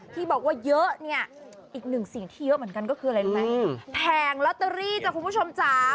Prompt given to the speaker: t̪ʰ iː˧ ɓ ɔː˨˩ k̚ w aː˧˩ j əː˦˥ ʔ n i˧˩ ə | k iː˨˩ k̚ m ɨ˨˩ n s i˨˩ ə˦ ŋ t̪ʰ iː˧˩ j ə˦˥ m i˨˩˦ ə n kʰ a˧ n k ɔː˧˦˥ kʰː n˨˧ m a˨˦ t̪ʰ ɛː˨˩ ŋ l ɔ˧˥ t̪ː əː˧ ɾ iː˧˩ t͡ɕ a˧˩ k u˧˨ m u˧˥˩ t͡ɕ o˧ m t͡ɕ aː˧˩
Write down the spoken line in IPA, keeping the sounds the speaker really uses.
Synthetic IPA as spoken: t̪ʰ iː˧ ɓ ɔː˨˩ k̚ w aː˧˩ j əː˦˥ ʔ n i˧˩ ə | ʔ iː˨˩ k̚ n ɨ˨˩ ŋ s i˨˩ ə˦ ŋ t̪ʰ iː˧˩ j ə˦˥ m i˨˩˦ ə n k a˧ n k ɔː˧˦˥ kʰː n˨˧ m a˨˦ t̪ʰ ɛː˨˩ ŋ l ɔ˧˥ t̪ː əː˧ ɾ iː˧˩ t͡ɕ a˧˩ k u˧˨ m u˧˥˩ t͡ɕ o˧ m t͡ɕ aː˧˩